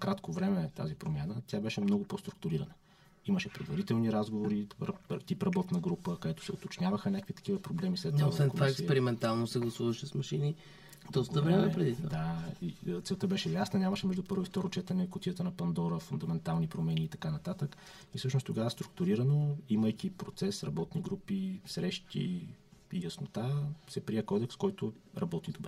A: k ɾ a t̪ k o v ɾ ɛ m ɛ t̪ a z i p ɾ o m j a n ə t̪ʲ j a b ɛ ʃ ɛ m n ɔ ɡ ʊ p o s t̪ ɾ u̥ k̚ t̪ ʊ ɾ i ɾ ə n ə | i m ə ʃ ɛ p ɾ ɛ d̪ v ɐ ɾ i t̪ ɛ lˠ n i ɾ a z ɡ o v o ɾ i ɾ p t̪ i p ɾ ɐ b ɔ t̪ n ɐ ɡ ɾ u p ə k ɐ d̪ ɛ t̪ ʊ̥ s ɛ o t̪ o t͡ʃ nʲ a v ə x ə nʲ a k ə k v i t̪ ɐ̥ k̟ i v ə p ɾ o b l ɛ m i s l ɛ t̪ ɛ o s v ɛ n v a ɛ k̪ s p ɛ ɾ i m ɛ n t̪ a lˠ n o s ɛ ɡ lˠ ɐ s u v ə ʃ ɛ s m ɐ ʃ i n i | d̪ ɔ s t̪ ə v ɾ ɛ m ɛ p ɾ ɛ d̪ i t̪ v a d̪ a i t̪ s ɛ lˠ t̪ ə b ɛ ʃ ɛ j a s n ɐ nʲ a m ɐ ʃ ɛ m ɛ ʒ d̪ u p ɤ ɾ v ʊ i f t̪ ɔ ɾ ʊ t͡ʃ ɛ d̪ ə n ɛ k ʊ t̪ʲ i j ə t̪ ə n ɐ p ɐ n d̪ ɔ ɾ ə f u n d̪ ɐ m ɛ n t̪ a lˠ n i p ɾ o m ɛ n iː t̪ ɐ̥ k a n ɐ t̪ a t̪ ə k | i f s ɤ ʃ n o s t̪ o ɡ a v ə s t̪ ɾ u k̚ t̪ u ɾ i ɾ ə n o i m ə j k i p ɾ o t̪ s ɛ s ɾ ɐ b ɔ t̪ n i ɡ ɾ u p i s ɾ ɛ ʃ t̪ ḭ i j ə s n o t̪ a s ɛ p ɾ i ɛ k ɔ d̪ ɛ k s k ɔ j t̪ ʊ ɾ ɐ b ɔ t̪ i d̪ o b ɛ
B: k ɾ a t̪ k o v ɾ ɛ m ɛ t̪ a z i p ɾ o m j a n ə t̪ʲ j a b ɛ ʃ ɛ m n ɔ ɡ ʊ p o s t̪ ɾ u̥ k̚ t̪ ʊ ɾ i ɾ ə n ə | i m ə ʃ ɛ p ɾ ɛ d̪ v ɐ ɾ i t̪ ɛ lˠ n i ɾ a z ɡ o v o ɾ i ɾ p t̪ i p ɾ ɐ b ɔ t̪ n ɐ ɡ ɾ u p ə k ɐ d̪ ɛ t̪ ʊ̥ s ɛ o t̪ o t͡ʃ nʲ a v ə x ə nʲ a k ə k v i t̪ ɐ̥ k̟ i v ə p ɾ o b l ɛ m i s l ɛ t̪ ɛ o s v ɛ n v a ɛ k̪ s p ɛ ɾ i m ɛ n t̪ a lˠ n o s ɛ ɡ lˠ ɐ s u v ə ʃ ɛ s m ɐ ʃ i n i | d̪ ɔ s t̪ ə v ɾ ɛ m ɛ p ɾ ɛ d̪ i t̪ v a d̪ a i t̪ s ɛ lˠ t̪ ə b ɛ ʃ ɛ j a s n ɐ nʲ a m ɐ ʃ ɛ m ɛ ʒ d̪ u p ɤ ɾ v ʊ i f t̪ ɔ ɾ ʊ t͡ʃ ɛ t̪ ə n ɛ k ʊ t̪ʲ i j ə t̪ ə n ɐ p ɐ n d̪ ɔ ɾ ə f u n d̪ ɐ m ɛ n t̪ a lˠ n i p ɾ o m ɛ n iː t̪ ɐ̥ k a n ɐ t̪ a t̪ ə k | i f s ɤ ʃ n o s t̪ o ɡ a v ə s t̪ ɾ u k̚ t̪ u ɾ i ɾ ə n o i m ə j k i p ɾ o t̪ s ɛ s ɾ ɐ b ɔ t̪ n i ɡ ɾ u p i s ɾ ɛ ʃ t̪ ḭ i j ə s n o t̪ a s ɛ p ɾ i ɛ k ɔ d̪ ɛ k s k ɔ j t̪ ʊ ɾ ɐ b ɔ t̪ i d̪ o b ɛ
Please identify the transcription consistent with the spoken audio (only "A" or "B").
B